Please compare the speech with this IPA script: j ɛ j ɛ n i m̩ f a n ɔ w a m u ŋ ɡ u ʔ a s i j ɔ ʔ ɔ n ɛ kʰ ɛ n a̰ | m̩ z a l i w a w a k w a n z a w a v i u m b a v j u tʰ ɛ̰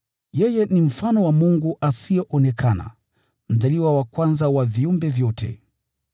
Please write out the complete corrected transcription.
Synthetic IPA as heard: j ɛ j ɛ n i m̩ f a n ɔ w a m u ŋ ɡ u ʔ a s i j ɔ ʔ ɔ n ɛ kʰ a n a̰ | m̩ z a l i w a w a k w a n z a w a v i u m b ɛ v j ɔ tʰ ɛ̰